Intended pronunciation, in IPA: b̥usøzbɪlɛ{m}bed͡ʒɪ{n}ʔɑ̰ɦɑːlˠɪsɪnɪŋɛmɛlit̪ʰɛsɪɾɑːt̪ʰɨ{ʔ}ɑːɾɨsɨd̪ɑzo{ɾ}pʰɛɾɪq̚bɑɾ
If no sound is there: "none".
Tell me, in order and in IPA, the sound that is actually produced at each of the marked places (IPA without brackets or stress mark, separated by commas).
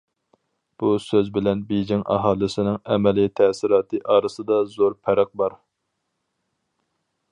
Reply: n, ŋ, ʔ, ɾ